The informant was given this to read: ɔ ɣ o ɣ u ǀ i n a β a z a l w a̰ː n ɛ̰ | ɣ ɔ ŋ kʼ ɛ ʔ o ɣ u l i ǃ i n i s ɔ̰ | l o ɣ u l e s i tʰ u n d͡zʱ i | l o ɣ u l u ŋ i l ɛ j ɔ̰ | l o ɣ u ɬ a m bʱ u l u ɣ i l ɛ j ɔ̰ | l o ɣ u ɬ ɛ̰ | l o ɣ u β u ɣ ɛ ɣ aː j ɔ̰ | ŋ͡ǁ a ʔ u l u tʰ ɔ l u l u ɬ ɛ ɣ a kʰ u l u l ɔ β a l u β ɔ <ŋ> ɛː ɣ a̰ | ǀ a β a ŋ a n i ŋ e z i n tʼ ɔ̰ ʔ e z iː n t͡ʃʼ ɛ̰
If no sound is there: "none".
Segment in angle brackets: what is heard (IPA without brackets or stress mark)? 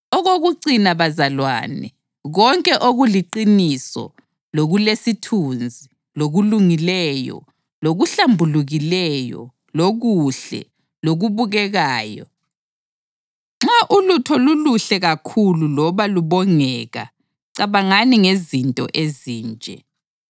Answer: ŋ